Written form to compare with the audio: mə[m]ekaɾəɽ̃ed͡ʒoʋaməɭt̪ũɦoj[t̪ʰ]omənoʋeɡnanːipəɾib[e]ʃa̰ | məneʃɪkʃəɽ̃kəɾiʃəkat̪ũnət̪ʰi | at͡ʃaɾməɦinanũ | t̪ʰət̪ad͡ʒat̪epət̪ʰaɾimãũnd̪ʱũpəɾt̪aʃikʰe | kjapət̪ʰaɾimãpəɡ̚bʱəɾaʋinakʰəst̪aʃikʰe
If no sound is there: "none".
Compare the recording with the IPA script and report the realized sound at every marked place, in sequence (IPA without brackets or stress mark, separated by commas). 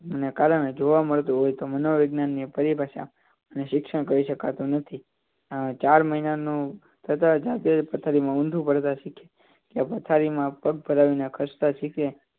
n, t̪, a